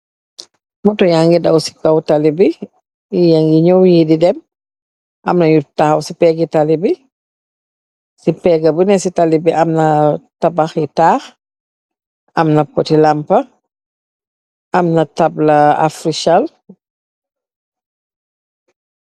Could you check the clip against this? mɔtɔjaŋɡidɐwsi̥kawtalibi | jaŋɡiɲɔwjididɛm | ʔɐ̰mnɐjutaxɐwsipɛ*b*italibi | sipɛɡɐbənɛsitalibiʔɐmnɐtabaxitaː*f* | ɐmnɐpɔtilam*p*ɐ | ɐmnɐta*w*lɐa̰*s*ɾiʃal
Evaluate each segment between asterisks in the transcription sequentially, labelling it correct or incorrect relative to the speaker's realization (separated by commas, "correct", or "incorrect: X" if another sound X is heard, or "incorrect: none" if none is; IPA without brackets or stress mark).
incorrect: ɡ, incorrect: x, correct, incorrect: b, incorrect: f